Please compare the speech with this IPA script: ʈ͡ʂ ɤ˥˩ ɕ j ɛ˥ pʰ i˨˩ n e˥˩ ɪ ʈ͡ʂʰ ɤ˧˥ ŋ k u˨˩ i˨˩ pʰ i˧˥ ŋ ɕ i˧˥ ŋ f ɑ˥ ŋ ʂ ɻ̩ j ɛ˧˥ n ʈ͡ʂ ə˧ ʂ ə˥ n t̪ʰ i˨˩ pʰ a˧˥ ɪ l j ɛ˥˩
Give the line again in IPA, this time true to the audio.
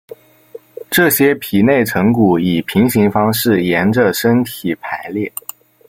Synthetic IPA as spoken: ʈ͡ʂ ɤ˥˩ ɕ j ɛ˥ pʰ i˨˩ n e˥˩ ɪ ʈ͡ʂʰ ɤ˧˥ ŋ k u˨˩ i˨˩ pʰ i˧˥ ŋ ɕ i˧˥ ŋ f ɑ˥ ŋ ʂ ɻ̩ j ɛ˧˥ n ʈ͡ʂ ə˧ ʂ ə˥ n t̪ʰ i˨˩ pʰ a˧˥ ɪ l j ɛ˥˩